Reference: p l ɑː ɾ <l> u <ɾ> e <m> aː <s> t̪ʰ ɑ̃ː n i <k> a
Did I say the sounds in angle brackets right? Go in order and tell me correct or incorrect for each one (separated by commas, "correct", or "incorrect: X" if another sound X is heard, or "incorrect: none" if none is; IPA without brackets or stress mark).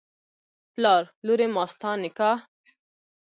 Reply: correct, correct, correct, correct, correct